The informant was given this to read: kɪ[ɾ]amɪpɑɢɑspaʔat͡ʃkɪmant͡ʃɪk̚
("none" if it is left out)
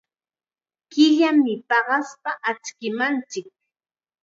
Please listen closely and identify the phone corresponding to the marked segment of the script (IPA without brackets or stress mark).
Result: ʎ